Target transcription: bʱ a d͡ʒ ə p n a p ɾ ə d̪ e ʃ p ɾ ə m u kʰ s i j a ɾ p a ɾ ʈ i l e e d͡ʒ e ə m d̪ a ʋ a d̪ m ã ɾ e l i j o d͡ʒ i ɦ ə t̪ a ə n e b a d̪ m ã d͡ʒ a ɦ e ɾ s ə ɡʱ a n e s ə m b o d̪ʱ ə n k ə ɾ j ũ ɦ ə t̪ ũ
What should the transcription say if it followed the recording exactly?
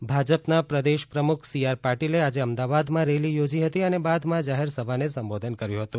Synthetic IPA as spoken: bʱ a d͡ʒ ə p n a p ɾ ə d̪ e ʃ p ɾ ə m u kʰ s i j a ɾ p a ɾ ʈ i l e a d͡ʒ e ə m d̪ a ʋ a d̪ m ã ɾ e l i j o d͡ʒ i ɦ ə t̪ i ə n e b a d̪ m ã d͡ʒ a ɦ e ɾ s ə bʱ a n e s ə m b o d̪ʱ ə n k ə ɾ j ũ ɦ ə t̪ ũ